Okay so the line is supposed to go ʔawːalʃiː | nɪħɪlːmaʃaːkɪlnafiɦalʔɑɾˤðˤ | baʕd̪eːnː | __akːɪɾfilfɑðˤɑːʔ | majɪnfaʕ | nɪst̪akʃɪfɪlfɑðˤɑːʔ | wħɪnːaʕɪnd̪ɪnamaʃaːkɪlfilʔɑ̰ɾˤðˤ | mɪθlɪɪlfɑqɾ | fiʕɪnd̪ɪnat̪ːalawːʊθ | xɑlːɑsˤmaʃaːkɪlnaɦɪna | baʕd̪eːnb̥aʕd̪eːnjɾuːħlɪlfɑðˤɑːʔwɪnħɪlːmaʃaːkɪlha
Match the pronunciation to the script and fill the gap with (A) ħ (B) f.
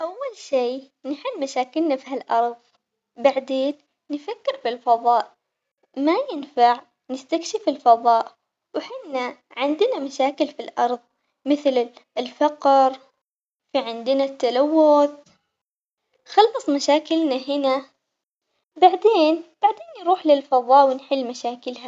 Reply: B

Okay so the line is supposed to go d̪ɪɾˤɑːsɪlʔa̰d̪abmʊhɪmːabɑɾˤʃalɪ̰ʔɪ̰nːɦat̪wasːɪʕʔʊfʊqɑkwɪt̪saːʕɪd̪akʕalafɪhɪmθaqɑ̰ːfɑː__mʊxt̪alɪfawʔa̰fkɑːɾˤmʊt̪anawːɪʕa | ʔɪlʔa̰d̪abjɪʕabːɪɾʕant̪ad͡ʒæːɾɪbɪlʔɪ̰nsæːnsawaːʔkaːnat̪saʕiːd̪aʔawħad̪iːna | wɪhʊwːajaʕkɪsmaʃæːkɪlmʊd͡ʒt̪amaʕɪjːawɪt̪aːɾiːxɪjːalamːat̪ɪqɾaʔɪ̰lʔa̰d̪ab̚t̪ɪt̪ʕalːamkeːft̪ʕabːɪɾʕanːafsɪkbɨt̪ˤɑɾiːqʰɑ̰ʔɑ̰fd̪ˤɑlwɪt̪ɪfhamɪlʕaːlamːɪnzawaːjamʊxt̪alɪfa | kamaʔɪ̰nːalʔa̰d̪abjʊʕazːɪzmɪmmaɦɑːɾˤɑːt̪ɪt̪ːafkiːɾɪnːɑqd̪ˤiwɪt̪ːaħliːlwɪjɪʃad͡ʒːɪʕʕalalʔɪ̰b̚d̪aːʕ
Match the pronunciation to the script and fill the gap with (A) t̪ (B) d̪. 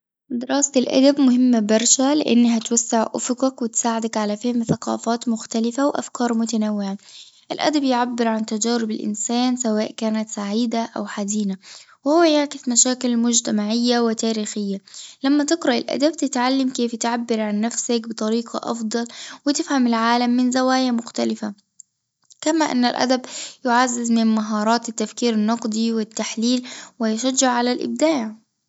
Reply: A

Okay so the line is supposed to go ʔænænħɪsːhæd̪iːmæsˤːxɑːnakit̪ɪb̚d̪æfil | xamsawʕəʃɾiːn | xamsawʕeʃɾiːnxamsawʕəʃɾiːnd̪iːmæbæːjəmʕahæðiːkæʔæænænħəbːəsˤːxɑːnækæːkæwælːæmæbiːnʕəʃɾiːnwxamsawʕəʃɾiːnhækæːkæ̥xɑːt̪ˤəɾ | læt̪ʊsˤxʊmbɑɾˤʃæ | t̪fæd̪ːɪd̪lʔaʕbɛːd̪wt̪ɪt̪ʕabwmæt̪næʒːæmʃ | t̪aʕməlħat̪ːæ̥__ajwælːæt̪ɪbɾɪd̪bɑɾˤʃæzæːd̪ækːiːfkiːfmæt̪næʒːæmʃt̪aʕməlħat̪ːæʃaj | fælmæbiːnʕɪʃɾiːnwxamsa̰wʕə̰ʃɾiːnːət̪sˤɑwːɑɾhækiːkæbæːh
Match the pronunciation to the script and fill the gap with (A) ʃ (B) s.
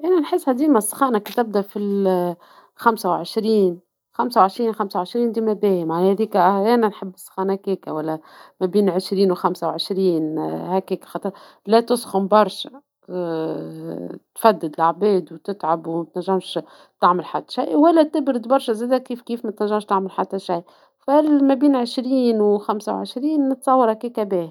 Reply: A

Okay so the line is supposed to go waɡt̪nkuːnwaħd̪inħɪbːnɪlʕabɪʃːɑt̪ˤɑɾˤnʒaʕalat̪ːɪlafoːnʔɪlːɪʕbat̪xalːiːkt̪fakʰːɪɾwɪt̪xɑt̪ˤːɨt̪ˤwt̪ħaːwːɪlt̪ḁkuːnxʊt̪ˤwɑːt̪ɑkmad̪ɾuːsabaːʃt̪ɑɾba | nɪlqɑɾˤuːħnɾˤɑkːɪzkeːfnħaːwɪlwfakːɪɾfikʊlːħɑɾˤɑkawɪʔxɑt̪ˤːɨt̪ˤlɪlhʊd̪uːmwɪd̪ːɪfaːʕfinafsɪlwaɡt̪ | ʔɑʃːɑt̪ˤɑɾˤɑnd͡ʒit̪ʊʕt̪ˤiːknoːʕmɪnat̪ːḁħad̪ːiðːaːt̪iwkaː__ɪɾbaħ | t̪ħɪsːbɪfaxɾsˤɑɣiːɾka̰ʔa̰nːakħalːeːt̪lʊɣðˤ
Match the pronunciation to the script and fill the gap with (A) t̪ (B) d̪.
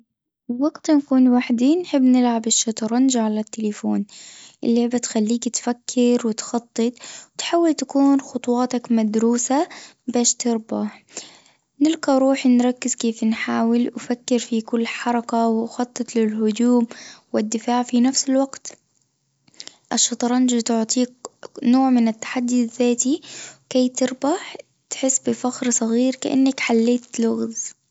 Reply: A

